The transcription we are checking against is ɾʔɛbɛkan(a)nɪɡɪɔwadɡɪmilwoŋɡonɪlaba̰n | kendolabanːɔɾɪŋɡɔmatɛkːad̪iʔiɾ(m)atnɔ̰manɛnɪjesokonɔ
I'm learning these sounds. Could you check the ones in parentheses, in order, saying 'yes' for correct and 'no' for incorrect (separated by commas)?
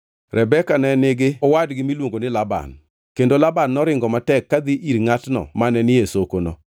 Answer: no, no